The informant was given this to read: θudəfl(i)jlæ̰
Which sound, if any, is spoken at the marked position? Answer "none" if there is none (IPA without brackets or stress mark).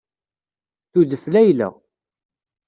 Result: æ